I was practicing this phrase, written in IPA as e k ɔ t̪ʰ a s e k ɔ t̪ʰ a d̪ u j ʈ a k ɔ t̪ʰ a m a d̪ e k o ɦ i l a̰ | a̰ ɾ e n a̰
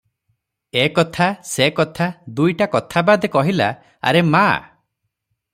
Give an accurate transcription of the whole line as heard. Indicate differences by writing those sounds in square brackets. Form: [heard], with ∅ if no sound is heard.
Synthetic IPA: e k ɔ t̪ʰ a s e k ɔ t̪ʰ a d̪ u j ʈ a k ɔ t̪ʰ a [b] a d̪ e k [ɔ] ɦ i l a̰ | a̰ ɾ e [m] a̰